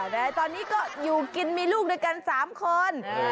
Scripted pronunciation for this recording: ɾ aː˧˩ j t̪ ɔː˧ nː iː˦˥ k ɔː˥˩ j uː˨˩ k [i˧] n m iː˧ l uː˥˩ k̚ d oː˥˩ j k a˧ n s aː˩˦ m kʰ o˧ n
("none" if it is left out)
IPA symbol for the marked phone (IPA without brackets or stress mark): i˧